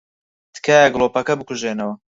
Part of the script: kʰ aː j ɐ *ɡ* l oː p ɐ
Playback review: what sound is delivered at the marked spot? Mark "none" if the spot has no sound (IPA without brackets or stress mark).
ɡ